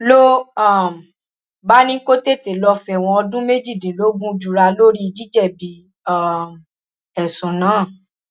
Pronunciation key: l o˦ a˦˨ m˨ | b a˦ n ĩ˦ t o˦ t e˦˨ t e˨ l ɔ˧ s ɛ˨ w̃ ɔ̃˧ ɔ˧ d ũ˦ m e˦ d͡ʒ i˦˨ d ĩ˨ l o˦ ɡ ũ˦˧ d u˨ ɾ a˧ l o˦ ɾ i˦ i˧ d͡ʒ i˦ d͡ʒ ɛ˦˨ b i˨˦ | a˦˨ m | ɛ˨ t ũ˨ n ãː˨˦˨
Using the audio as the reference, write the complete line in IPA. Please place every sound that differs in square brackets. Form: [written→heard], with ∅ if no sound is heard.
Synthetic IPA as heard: l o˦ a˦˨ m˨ | b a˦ n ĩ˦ [t→k] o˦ t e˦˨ t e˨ l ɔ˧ [s→f] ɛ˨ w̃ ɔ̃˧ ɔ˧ d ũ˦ m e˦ d͡ʒ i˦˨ d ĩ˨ l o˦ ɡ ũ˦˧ [d→d͡ʒ] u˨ ɾ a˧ l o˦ ɾ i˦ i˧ d͡ʒ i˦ d͡ʒ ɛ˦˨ b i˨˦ | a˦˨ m | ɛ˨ [t→s] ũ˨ n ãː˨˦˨